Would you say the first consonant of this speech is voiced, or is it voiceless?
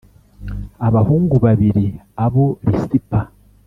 voiced